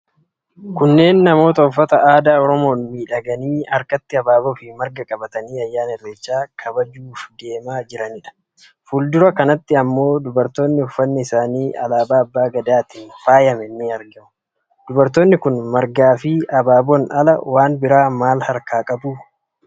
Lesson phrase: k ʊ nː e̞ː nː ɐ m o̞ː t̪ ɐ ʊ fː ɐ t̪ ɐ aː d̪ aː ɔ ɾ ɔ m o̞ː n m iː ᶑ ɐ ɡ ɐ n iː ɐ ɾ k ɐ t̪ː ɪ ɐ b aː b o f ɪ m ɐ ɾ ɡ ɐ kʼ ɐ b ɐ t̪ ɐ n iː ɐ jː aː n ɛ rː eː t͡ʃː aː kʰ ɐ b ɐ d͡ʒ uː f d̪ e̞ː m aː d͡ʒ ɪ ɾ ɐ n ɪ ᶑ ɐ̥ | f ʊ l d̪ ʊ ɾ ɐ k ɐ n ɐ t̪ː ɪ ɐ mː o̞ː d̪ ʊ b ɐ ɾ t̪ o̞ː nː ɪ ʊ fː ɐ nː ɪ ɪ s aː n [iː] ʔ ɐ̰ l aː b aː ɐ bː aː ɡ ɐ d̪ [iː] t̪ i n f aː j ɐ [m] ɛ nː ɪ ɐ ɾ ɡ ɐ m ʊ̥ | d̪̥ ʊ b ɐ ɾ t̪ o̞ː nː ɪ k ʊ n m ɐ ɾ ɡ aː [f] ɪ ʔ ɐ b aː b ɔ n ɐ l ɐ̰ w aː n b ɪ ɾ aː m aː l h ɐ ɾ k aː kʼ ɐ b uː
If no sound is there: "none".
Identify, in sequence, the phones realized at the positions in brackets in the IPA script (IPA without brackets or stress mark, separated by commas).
iː, aː, m, f